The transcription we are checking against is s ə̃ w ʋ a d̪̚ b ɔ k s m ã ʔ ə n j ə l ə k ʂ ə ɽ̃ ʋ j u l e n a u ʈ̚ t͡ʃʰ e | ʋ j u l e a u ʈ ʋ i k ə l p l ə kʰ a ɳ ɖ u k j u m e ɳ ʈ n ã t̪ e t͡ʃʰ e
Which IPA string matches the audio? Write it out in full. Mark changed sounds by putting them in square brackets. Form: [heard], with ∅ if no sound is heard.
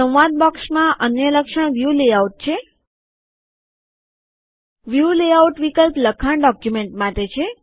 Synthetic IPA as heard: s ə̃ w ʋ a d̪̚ b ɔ k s m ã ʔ ə n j ə l ə k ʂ ə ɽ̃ ʋ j u l e [∅] a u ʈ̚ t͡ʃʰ e | ʋ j u l e a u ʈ ʋ i k ə l p l ə kʰ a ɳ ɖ [ɔ] k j u m e ɳ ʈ [m] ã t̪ e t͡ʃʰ e